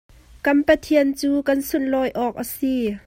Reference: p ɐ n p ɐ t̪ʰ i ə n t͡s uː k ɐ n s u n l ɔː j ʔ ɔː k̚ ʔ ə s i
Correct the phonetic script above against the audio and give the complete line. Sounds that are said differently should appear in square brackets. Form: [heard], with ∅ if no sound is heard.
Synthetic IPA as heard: [k] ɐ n p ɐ t̪ʰ i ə n t͡s uː k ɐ n s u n l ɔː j ʔ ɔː k̚ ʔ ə s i